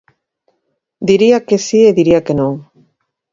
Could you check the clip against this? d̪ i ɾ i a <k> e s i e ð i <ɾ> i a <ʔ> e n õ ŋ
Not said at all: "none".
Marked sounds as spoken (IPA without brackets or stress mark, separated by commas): k, ɾ, k